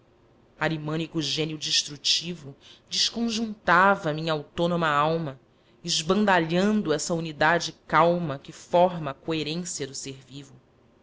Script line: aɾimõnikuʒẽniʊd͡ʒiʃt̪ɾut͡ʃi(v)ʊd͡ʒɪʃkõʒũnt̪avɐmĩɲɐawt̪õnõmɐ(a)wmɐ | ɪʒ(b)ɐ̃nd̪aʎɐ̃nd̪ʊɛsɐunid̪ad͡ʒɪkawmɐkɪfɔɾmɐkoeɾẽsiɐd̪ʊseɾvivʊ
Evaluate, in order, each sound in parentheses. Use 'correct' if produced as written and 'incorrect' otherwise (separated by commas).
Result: correct, correct, correct